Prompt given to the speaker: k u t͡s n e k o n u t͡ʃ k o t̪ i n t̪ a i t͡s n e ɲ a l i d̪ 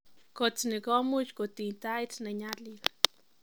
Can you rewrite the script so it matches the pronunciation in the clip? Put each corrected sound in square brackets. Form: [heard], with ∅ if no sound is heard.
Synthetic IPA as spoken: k [o] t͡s n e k o [m] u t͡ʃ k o t̪ i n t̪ a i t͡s n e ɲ a l i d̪